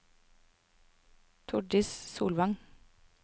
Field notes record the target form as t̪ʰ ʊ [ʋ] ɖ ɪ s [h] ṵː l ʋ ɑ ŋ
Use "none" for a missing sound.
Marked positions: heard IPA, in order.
none, s

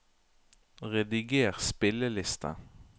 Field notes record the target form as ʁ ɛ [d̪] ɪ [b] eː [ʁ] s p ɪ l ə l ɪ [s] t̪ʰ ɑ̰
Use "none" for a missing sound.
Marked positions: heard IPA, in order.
d̪, ɡ, ʁ, s

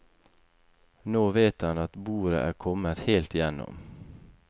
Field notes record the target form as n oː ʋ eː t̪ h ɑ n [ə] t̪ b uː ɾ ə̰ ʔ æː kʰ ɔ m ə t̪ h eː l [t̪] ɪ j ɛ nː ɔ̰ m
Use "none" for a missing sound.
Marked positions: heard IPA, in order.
ɑ, t̪

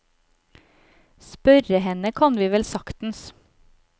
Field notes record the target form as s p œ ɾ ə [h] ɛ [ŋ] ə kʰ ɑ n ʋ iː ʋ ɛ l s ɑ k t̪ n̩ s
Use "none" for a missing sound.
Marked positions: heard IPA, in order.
h, n

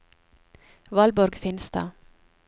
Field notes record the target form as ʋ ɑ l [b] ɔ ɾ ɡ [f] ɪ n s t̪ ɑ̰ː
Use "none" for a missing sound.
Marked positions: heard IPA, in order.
b, f

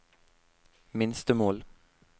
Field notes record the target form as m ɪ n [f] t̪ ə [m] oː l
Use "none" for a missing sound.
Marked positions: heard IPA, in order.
s, m

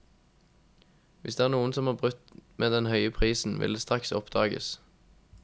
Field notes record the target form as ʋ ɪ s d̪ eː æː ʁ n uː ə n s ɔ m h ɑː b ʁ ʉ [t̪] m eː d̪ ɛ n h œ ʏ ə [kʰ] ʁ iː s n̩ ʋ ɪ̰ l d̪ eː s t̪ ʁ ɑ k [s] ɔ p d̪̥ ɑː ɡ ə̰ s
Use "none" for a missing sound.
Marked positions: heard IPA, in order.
t̪, pʰ, s

